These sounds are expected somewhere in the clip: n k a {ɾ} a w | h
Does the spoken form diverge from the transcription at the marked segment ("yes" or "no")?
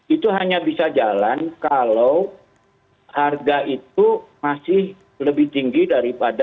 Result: yes